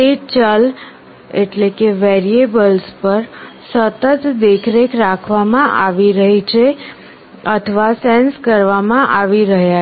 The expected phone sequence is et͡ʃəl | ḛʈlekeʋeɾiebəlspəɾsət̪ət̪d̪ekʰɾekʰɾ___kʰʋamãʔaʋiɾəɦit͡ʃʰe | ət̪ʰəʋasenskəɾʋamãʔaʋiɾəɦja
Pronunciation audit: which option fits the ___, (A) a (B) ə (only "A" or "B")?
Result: A